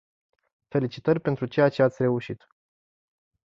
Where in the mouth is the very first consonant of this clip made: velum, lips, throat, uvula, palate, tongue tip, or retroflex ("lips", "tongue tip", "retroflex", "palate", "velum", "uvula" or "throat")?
lips